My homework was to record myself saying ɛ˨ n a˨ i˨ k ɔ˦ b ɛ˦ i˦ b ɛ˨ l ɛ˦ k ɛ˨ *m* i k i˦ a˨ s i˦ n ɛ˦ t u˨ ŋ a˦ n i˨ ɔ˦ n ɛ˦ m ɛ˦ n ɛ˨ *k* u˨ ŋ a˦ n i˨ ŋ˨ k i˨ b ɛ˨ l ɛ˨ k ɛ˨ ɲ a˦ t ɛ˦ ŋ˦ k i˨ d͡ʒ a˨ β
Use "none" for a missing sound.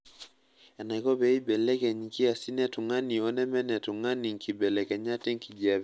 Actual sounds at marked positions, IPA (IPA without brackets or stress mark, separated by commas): ɲ, t